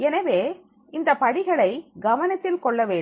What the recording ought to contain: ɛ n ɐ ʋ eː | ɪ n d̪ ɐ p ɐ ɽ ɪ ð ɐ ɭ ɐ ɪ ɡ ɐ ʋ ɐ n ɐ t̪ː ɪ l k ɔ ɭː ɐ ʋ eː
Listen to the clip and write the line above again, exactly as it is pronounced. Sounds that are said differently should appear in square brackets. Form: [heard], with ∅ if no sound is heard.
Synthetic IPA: ɛ n ɐ ʋ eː | ɪ n d̪ ɐ p ɐ ɽ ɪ [ɣ] ɐ ɭ ɐ ɪ ɡ ɐ ʋ ɐ n ɐ t̪ː ɪ l k ɔ ɭː ɐ ʋ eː